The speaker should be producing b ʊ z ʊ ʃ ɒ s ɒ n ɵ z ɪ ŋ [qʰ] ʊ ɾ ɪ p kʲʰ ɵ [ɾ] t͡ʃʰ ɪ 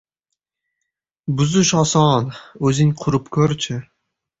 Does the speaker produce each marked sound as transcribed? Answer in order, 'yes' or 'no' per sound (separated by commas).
yes, yes